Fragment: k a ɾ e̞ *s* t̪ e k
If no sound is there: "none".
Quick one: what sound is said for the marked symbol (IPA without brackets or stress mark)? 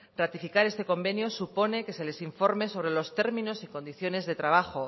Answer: s